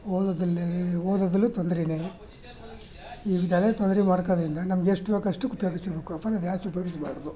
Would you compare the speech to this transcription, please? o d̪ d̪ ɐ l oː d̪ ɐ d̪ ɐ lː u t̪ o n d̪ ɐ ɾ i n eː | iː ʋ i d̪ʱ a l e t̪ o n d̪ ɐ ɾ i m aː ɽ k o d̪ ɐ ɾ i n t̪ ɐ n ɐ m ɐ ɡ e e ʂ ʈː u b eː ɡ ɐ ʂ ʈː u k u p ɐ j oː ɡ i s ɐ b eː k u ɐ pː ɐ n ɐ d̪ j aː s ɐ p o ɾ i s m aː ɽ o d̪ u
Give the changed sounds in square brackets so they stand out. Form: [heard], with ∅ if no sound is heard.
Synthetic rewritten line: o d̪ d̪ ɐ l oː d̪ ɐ d̪ ɐ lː u t̪ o n d̪ ɐ ɾ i n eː | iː ʋ i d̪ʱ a l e t̪ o n d̪ ɐ ɾ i m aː ɽ k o d̪ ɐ ɾ i n [d̪] ɐ n ɐ m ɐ ɡ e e ʂ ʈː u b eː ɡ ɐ ʂ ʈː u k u p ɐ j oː ɡ i s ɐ b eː k u ɐ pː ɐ n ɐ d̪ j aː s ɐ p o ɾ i s m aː ɽ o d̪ u